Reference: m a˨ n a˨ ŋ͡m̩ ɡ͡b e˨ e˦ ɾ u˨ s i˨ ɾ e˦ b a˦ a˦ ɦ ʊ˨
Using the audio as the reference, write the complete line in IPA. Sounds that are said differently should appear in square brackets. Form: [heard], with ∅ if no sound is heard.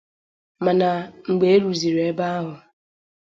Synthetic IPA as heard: m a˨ n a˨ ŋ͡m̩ ɡ͡b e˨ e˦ ɾ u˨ [z] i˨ ɾ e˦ b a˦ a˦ ɦ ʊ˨